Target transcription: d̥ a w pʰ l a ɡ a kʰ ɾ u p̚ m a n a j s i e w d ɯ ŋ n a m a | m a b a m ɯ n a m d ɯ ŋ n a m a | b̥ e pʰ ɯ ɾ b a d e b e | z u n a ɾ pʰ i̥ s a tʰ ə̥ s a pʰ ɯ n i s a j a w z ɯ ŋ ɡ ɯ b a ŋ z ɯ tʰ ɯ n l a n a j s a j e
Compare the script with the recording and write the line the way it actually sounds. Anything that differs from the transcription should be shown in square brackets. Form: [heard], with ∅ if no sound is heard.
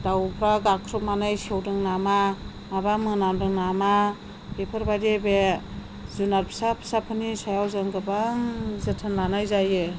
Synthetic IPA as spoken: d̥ a w pʰ [ɾ] a ɡ a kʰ ɾ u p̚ m a n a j s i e w d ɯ ŋ n a m a | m a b a m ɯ n a m d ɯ ŋ n a m a | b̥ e pʰ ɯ ɾ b a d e b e | z u n a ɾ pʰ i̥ s a [pʰ] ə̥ s a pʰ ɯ n i s a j a w z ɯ ŋ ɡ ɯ b a ŋ z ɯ tʰ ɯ n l a n a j [z] a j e